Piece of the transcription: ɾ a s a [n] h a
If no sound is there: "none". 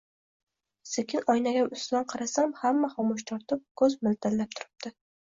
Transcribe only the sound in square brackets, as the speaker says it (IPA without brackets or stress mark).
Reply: m